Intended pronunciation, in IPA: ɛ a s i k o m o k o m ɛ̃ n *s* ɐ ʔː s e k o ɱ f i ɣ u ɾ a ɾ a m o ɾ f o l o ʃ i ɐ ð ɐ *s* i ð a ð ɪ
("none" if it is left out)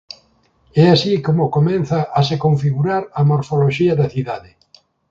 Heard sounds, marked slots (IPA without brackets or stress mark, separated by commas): θ, θ